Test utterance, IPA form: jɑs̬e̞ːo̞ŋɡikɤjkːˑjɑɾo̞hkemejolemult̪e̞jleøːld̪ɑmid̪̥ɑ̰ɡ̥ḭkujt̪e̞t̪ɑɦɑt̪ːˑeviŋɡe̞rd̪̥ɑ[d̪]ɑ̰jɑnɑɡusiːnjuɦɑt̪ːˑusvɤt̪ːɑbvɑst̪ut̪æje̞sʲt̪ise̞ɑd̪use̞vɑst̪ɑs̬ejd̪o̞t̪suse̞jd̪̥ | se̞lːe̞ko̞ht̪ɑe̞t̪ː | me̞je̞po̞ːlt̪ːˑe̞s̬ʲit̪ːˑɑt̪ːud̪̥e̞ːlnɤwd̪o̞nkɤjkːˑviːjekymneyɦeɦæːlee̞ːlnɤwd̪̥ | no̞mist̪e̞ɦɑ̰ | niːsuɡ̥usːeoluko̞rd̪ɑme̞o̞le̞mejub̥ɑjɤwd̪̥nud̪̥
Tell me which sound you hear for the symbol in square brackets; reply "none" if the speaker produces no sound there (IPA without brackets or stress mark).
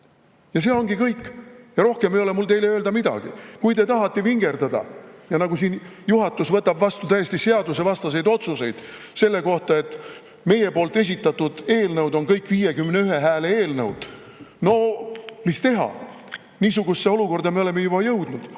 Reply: d̪